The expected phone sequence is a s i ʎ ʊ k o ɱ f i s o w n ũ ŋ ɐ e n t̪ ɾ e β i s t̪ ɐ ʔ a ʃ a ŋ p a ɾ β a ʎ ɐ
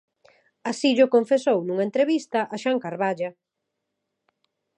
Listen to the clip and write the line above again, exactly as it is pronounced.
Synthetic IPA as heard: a s i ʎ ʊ k o ɱ f e s o w n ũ ŋ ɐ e n t̪ ɾ e β i s t̪ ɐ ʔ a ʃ a ŋ k a ɾ β a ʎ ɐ